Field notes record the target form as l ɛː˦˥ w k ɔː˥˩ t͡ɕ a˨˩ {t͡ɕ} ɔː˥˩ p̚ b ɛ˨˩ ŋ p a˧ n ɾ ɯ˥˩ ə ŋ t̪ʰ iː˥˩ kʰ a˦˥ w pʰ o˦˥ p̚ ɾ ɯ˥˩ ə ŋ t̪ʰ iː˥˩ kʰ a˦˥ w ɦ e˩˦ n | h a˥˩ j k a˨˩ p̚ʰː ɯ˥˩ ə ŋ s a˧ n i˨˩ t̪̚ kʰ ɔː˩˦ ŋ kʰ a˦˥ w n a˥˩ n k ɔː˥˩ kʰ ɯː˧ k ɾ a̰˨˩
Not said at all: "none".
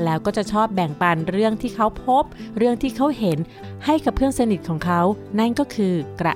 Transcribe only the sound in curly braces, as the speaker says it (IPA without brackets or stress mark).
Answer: t͡ɕʰ